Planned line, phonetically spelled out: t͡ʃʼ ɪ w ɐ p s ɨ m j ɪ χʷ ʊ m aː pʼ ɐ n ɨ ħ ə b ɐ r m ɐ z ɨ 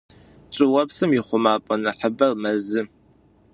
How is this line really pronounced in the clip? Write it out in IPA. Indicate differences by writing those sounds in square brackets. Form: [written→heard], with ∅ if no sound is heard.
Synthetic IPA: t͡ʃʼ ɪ w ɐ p s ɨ m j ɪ χʷ ʊ m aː pʼ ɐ n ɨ ħ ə b ɐ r m ɐ z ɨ